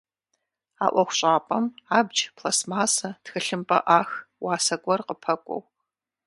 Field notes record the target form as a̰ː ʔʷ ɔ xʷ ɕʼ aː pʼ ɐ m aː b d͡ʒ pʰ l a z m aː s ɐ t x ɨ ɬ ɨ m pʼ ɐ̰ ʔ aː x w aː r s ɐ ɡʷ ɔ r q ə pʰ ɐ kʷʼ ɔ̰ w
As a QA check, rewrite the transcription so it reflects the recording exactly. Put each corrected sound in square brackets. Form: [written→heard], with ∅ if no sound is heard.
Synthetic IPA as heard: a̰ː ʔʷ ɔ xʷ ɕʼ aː pʼ ɐ m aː b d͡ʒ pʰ l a [z→s] m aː s ɐ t x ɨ ɬ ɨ m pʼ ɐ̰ ʔ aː x w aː [r→∅] s ɐ ɡʷ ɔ r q ə pʰ ɐ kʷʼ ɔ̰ w